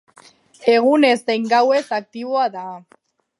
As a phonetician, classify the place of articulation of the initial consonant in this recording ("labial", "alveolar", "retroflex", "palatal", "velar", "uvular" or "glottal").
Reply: velar